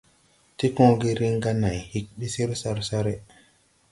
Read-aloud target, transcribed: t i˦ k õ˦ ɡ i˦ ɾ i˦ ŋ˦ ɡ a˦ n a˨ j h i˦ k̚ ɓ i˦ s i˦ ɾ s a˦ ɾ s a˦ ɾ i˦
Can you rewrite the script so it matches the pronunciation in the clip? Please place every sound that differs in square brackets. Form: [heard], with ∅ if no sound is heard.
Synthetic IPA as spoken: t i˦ k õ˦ ɡ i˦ ɾ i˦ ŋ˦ ɡ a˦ n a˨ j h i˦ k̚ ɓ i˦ s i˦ ɾ s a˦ ɾ s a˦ ɾ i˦